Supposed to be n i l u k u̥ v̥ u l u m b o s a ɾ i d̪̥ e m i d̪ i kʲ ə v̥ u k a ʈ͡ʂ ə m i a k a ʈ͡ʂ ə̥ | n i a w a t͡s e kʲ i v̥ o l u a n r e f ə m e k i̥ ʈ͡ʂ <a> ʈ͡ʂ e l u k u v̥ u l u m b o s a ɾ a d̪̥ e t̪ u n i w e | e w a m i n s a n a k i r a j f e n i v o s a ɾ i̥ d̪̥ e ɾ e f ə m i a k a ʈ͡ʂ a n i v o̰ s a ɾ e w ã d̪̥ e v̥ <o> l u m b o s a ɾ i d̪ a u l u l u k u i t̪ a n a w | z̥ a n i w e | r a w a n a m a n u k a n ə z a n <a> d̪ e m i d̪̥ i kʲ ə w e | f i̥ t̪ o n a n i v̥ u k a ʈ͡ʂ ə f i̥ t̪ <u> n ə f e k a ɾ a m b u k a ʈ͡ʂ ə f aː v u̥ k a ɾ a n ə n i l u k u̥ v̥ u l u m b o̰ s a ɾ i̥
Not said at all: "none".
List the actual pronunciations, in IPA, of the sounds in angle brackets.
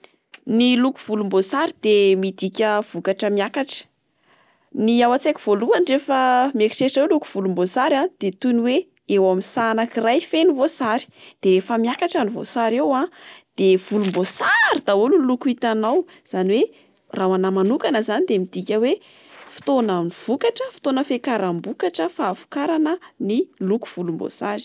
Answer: e, u, i, o

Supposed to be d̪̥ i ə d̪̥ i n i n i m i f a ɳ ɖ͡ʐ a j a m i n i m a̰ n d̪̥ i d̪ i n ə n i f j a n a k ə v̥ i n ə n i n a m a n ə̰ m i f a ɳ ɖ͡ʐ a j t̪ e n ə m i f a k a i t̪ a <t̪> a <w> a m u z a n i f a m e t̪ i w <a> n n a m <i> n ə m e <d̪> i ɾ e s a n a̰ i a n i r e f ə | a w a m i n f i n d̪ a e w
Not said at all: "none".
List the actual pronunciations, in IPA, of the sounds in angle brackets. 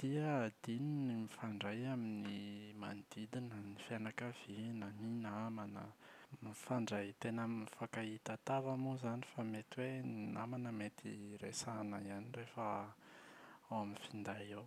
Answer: t̪, v, e, a, t̪

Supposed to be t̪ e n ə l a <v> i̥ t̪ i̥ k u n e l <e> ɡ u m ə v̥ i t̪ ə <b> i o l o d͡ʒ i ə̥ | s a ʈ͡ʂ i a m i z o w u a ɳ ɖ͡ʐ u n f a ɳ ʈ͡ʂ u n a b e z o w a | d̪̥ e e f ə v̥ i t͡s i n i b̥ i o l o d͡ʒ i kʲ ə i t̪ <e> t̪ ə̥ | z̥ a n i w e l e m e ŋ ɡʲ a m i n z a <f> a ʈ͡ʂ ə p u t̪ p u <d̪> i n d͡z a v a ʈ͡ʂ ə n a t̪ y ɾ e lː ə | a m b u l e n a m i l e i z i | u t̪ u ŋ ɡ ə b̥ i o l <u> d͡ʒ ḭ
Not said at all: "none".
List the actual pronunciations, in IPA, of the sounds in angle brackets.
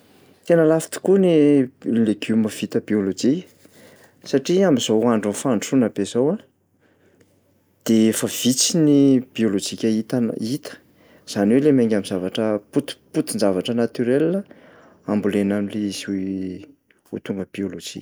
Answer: f, e, b, i, v, t̪, o

